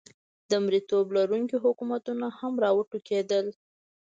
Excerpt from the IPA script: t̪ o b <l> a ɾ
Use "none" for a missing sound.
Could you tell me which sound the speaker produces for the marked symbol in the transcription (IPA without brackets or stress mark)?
l